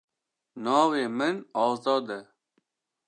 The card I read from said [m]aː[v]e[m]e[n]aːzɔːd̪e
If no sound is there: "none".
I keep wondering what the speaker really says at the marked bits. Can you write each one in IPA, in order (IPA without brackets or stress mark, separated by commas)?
n, w, m, n